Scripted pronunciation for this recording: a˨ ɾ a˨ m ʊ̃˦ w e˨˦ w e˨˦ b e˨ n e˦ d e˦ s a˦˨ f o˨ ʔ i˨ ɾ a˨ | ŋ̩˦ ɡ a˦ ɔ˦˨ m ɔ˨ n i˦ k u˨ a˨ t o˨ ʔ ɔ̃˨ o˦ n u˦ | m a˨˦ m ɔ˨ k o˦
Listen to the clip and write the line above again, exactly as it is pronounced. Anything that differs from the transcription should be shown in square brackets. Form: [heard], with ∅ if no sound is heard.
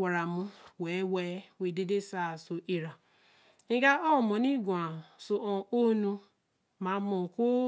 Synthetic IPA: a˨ ɾ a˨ m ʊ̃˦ w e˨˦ w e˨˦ [w] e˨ [d] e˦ d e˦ s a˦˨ [s] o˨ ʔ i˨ ɾ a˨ | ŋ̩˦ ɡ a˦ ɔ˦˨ m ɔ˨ n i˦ [ɡ] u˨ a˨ [s] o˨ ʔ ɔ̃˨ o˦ n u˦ | m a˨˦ m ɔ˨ k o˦